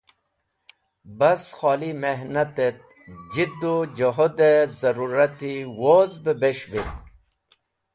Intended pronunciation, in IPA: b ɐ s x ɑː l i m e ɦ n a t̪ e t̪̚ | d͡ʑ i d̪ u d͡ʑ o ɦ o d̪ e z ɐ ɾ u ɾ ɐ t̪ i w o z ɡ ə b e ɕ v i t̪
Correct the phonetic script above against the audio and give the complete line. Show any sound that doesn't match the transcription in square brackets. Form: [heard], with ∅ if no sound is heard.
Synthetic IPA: b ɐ s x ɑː l i m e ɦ n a t̪ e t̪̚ | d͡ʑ i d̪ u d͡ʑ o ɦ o d̪ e z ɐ ɾ u ɾ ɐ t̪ i w o z [b] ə b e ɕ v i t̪